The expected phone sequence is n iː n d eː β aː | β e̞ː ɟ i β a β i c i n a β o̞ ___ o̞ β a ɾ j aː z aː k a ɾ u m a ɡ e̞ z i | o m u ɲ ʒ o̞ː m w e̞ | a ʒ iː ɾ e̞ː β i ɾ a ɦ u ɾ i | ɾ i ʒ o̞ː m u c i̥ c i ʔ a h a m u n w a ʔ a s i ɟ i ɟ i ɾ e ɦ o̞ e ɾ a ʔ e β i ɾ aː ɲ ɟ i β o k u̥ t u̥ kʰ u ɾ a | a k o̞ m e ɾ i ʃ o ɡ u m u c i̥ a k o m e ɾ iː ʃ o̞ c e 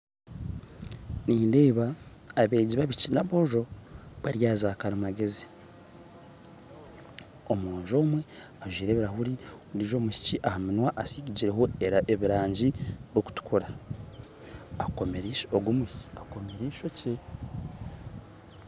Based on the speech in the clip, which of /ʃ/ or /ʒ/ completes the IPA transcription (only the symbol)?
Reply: ʒ